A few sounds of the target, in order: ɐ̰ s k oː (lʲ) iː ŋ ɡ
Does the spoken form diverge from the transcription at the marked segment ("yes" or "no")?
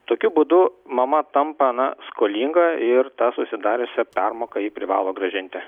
no